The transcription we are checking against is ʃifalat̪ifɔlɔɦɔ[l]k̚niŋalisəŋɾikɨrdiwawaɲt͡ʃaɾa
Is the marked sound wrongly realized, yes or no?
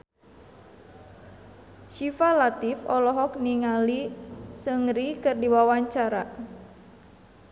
yes